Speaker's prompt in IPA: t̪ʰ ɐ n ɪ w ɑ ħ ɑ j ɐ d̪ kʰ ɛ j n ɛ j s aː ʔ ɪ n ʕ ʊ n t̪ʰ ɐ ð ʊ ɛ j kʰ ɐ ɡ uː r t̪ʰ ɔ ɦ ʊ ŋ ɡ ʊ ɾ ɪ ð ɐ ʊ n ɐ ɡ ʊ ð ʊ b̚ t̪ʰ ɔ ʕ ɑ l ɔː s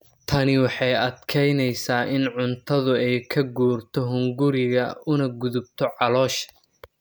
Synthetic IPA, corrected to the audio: t̪ʰ ɐ n ɪ w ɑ ħ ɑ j ɐ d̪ kʰ ɛ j n ɛ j s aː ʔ ɪ n ʕ ʊ n t̪ʰ ɐ ð ʊ ɛ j kʰ ɐ ɡ uː r t̪ʰ ɔ ɦ ʊ ŋ ɡ ʊ ɾ ɪ ɣ ɐ ʊ n ɐ ɡ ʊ ð ʊ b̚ t̪ʰ ɔ ʕ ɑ l ɔː ʃ